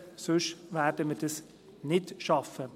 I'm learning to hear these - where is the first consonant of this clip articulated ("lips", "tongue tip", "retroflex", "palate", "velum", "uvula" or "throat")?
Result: tongue tip